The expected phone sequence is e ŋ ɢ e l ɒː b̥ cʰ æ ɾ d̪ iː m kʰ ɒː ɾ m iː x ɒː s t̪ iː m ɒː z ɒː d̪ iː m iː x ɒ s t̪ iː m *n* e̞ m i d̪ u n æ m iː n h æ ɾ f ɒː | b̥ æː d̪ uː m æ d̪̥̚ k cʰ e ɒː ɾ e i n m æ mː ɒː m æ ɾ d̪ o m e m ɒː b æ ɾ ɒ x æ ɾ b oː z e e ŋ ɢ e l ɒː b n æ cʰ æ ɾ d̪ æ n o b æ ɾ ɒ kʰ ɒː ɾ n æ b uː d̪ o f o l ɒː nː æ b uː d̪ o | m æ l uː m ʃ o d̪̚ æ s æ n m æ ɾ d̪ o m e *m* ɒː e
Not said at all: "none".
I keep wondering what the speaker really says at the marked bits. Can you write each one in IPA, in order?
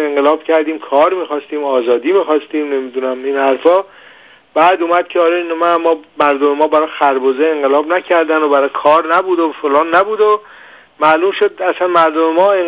n, m

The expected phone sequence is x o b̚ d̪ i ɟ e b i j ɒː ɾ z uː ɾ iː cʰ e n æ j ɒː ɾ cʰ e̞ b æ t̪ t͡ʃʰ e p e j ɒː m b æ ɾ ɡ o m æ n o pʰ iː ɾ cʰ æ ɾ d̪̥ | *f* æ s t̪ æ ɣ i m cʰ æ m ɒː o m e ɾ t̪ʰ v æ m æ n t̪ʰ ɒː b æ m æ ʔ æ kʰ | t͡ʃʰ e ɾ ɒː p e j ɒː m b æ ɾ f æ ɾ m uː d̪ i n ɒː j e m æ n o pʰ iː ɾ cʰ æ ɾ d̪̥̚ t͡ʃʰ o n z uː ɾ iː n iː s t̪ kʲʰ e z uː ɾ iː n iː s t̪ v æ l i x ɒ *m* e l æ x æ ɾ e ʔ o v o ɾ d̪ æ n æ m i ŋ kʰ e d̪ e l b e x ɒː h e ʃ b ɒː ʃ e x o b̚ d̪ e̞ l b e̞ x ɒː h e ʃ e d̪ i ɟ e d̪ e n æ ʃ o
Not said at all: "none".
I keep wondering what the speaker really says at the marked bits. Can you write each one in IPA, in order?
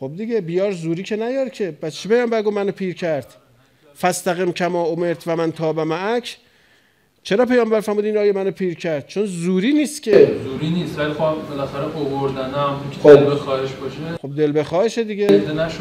f, b

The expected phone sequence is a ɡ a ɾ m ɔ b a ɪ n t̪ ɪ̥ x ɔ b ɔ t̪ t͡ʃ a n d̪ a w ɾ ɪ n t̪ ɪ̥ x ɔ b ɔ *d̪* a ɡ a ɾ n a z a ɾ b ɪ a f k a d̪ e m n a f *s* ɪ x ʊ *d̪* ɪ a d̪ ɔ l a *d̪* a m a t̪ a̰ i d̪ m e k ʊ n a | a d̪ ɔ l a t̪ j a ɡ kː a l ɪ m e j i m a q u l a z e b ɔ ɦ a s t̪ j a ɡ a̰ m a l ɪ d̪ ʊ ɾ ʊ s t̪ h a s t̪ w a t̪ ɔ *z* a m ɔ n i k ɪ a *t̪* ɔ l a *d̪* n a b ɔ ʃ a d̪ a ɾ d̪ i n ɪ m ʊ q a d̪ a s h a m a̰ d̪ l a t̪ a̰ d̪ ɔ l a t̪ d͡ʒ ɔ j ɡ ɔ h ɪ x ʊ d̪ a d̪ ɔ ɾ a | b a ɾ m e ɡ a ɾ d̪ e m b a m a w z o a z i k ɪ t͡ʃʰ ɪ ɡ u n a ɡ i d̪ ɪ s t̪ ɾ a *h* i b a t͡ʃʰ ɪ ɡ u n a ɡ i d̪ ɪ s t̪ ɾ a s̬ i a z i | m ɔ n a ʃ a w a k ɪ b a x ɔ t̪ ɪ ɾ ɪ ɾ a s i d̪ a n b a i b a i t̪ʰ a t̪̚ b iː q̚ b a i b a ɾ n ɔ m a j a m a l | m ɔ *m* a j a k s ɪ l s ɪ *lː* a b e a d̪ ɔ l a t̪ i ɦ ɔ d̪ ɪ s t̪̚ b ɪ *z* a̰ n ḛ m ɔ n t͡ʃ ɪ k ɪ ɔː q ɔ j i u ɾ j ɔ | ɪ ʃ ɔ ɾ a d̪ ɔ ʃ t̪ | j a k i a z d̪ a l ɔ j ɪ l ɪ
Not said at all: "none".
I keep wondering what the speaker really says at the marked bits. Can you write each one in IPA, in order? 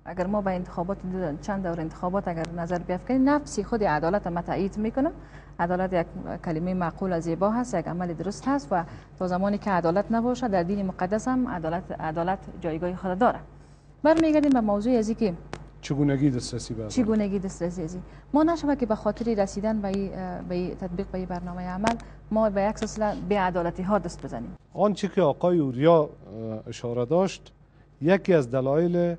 t̪, s, d̪, t̪, z, d̪, t̪, s, b, l, z

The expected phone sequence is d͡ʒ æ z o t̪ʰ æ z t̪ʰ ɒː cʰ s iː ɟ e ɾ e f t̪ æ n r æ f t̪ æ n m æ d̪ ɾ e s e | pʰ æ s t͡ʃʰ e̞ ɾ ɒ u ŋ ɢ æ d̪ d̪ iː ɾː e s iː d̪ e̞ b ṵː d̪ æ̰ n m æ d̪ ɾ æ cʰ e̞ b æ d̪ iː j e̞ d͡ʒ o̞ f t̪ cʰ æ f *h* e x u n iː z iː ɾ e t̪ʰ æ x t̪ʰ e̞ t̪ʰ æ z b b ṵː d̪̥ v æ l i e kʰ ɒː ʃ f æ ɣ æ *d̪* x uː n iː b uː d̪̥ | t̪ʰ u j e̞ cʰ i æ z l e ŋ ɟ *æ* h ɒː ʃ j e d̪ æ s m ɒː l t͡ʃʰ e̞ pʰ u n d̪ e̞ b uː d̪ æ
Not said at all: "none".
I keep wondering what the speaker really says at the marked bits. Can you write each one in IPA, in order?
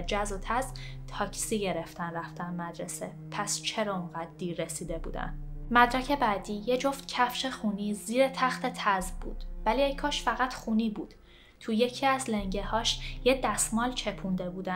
ʃ, t̪, e

